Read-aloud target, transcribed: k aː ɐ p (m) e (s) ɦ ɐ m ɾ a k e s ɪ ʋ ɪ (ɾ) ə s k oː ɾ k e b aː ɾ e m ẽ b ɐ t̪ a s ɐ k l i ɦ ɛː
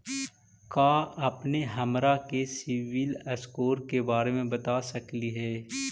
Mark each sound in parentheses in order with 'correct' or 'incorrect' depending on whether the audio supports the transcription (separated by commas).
incorrect, incorrect, incorrect